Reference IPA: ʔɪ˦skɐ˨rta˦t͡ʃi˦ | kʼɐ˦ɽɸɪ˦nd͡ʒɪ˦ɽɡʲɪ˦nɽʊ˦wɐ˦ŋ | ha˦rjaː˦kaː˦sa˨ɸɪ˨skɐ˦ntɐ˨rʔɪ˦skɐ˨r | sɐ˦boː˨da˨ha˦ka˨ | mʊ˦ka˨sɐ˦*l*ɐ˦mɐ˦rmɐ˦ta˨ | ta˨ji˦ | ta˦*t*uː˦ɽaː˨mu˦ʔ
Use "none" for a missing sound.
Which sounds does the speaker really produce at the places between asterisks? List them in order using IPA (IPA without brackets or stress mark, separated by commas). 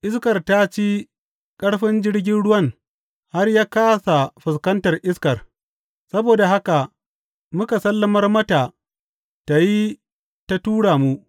lː, t